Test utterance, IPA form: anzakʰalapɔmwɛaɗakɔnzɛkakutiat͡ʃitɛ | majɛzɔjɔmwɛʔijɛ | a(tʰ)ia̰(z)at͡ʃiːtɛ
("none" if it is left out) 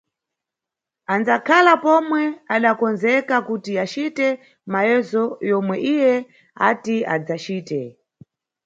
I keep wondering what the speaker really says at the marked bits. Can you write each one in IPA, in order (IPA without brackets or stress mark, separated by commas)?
t, d͡z